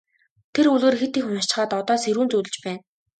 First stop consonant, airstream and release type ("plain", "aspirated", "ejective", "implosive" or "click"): aspirated